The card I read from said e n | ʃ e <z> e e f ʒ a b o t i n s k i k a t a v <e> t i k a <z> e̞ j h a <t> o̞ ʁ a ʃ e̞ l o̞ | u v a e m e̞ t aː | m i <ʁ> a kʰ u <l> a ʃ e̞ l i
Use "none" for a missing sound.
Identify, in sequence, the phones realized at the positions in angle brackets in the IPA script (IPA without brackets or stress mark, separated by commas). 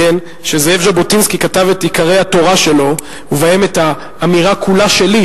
z, e, ʁ, t, ʁ, l